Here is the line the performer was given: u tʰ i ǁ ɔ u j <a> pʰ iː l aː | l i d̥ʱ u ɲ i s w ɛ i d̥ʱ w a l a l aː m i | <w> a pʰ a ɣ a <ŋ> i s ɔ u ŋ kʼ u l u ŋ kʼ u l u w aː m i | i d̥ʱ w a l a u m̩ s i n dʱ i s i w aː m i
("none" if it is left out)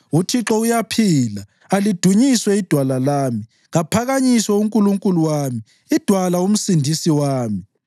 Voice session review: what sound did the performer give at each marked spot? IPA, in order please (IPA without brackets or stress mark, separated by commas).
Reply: a, ɣ, ɲ